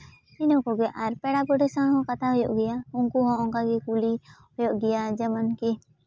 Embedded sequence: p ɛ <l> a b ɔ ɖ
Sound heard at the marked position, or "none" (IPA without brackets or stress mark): ɽ